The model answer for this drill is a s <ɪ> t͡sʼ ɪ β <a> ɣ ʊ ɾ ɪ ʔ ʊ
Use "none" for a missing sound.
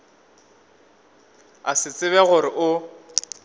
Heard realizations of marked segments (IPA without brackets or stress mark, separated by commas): ɪ, ɛ